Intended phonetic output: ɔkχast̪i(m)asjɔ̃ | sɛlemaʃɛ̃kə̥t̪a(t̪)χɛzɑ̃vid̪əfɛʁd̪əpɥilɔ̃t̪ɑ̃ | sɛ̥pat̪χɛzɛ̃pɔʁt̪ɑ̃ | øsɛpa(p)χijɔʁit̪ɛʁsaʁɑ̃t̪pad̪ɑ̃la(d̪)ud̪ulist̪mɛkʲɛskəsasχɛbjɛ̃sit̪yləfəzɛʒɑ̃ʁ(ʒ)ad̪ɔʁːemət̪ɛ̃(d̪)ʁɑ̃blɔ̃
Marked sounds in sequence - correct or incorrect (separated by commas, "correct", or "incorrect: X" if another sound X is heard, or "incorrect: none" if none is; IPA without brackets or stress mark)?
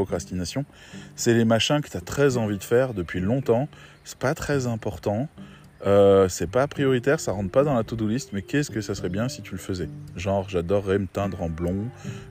incorrect: n, correct, correct, incorrect: t̪, correct, correct